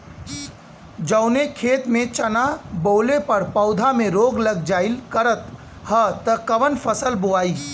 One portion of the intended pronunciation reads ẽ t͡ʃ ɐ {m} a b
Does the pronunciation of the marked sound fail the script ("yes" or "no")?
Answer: yes